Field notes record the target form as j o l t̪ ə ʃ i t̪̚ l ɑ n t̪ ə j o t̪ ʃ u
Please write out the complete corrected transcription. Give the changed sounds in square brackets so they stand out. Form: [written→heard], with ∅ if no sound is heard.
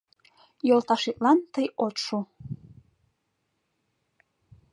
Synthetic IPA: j o l t̪ [ə→ɑ] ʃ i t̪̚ l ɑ n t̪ ə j o t̪ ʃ u

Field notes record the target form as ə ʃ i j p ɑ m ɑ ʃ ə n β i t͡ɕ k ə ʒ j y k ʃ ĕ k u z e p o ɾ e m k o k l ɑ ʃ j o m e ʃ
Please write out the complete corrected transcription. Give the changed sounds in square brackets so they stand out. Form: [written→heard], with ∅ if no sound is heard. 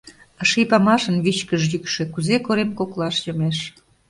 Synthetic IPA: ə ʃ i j p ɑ m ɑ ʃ ə n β i t͡ɕ k ə ʒ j y k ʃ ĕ k u z e [p→k] o ɾ e m k o k l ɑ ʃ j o m e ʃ

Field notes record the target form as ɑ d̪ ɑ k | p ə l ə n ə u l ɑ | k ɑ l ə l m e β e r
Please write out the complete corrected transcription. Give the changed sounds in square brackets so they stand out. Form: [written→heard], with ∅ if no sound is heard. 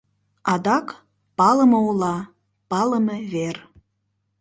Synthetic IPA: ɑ d̪ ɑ k | p [ə→ɑ] l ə [n→m] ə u l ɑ | [k→p] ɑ l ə [l→∅] m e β e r

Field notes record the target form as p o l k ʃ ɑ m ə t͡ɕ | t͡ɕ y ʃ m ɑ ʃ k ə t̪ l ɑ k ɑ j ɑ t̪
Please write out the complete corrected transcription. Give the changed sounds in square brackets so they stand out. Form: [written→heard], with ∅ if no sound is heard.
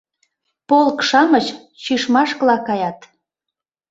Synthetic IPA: p o l k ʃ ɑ m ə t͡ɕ | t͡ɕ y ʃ m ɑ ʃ k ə [t̪→∅] l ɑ k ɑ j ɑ t̪

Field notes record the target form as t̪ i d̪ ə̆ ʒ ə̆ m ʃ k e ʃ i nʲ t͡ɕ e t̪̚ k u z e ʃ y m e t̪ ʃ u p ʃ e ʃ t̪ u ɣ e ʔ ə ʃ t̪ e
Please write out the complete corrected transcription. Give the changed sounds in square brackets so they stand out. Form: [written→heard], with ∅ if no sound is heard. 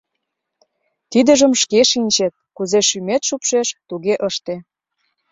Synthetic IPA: t̪ i d̪ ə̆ ʒ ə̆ m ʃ k e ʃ i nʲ t͡ɕ e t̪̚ k u z e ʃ y m e t̪ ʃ u p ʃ e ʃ t̪ u ɣ e ʔ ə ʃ t̪ e

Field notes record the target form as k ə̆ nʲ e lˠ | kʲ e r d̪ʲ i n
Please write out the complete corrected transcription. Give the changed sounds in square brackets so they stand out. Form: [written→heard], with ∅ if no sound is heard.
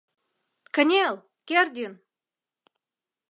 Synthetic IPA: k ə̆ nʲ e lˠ | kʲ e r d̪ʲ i n

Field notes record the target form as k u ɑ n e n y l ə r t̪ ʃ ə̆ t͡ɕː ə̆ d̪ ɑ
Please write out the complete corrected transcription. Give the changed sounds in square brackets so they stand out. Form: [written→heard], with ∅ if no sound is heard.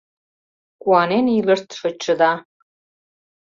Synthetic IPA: k u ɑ n e n [y→i] l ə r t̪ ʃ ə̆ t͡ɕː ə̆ d̪ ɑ

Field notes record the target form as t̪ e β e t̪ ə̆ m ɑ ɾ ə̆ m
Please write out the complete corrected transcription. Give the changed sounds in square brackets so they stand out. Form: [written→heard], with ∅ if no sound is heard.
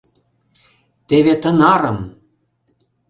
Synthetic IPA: t̪ e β e t̪ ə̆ [m→n] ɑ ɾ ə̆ m

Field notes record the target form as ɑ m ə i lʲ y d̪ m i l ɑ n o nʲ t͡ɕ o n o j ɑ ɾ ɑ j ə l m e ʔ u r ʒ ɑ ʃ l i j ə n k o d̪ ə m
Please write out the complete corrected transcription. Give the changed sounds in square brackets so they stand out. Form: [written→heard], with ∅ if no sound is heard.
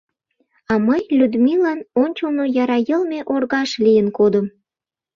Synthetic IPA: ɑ m ə [i→j] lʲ y d̪ m i l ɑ n o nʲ t͡ɕ o n o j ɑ ɾ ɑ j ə l m e ʔ [u→o] r [ʒ→ɣ] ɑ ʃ l i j ə n k o d̪ ə m

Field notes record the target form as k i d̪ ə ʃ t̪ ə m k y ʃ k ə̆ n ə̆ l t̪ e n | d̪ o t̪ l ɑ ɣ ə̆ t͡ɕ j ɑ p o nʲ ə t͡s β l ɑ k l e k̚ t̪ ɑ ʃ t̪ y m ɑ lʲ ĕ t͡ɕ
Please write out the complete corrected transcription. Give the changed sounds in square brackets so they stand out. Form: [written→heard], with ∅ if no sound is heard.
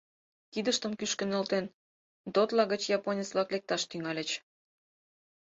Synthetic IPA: k i d̪ ə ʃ t̪ ə m k y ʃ k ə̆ n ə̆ l t̪ e n | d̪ o t̪ l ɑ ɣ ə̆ t͡ɕ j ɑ p o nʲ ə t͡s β l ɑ k l e k̚ t̪ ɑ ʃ t̪ y [m→ŋ] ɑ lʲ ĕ t͡ɕ

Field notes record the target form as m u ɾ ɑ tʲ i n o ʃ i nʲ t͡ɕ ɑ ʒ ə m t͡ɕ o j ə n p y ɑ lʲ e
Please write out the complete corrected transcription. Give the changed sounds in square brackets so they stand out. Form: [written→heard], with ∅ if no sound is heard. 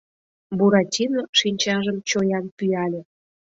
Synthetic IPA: [m→b] u ɾ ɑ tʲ i n o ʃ i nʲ t͡ɕ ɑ ʒ ə m t͡ɕ o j [ə→ɑ] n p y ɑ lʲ e

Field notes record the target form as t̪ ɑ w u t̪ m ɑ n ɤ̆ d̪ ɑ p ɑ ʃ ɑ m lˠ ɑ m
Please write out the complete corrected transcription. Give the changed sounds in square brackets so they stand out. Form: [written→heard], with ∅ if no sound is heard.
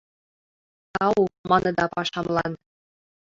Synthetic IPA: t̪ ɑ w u [t̪→∅] m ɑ n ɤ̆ d̪ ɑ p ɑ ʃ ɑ m lˠ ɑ [m→n]

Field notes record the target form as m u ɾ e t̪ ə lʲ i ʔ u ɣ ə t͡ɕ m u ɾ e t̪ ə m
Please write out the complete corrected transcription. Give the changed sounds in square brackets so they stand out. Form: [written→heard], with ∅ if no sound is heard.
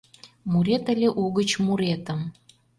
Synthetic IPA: m u ɾ e t̪ ə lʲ [i→e] ʔ u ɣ ə t͡ɕ m u ɾ e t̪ ə m

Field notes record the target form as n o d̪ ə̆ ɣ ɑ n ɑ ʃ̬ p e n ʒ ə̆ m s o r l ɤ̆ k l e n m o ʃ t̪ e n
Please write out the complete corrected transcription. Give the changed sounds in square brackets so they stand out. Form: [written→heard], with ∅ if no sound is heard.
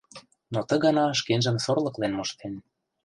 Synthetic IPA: n o [d̪→t̪] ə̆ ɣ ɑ n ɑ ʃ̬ [p→k] e n ʒ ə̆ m s o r l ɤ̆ k l e n m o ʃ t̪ e n

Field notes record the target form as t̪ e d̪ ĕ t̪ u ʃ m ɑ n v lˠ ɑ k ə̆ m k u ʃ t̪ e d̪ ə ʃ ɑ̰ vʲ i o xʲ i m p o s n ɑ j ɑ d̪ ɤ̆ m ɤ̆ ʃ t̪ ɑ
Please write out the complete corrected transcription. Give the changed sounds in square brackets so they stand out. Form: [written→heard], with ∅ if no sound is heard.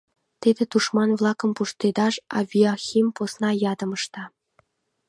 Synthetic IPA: t̪ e d̪ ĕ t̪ u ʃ m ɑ n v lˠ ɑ k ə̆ m [k→p] u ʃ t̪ e d̪ [ə→ɑ] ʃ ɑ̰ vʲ i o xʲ i m p o s n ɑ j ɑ d̪ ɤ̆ m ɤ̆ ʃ t̪ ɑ

